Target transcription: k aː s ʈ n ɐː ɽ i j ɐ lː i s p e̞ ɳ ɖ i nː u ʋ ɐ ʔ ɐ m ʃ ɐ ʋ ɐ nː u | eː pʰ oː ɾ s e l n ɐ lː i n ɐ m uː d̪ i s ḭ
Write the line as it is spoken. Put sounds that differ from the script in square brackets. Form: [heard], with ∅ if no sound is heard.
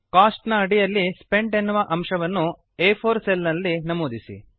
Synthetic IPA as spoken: k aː s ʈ n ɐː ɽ i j ɐ lː i s p e̞ ɳ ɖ [e] nː u ʋ ɐ ʔ ɐ m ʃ ɐ ʋ ɐ nː u | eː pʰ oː ɾ s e l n ɐ lː i n ɐ m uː d̪ i s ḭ